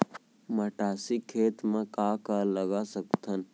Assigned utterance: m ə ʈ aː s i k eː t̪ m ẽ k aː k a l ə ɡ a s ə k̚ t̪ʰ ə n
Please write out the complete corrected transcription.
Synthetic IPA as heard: m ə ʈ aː s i kʰ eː t̪ m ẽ k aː k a l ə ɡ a s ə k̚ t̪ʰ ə n